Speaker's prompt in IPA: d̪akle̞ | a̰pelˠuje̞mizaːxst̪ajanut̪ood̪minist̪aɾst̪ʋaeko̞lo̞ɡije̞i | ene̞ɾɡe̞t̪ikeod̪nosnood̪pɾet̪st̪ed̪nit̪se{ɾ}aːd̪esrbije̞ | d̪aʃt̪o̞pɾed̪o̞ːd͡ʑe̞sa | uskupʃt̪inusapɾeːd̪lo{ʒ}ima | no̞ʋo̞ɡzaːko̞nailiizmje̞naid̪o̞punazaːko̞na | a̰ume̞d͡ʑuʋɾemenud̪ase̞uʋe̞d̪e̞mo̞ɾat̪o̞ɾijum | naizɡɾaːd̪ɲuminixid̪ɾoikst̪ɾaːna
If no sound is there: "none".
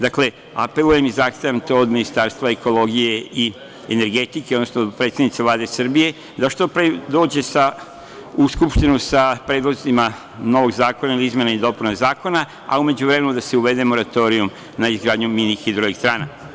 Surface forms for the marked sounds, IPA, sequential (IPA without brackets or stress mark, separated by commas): l, z